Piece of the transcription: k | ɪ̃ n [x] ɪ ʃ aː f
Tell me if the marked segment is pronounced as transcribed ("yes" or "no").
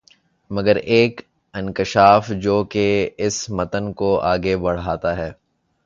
no